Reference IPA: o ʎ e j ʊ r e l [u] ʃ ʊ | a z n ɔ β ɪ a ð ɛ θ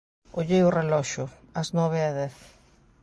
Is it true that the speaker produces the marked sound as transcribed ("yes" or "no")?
no